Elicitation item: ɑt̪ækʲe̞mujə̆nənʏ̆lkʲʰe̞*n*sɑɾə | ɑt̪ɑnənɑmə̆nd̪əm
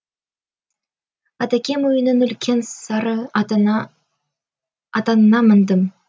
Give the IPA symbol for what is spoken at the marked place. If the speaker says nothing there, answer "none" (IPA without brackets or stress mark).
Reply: n